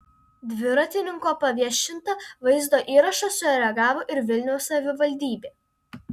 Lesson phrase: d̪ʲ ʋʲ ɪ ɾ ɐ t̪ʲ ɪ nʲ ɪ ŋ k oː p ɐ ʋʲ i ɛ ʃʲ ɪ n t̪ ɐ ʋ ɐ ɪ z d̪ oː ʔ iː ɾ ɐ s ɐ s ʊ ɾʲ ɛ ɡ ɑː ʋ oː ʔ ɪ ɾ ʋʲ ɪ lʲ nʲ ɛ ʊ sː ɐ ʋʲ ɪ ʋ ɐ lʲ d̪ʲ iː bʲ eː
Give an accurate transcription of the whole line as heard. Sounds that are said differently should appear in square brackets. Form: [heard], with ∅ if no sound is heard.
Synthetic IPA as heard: d̪ʲ ʋʲ ɪ ɾ ɐ t̪ʲ ɪ nʲ ɪ ŋ k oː p ɐ ʋʲ i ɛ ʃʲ ɪ n t̪ ɐ ʋ ɐ ɪ z d̪ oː ʔ iː ɾ ɐ [ʃ] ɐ s ʊ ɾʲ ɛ ɡ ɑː ʋ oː ʔ ɪ ɾ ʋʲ ɪ lʲ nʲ ɛ ʊ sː ɐ ʋʲ ɪ ʋ ɐ lʲ d̪ʲ iː bʲ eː